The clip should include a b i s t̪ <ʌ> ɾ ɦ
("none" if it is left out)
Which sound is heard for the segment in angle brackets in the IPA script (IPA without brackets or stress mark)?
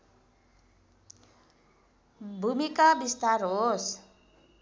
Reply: a